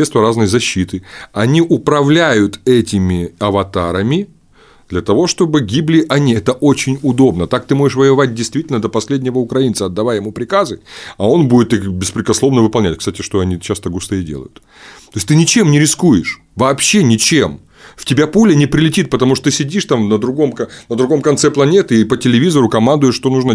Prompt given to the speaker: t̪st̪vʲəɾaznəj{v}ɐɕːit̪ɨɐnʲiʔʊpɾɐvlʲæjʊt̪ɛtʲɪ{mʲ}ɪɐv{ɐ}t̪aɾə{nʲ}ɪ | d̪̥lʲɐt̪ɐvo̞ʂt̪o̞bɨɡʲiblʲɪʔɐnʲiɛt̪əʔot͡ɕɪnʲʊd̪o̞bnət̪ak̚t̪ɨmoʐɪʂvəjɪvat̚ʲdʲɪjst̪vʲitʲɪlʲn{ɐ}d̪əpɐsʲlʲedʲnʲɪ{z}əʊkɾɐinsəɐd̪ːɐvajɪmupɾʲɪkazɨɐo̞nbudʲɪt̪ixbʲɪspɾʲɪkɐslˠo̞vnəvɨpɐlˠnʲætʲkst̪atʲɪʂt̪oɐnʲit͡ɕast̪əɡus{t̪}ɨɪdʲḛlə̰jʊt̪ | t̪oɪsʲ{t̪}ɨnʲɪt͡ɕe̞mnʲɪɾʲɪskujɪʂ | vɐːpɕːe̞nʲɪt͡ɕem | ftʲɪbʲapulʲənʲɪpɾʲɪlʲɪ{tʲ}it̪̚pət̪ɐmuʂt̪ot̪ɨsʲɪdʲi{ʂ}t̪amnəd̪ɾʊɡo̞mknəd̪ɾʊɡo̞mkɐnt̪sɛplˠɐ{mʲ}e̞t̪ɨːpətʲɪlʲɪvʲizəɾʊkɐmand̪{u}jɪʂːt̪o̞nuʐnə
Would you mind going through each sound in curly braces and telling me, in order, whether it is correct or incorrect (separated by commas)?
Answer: incorrect, correct, correct, incorrect, incorrect, incorrect, correct, correct, correct, correct, incorrect, incorrect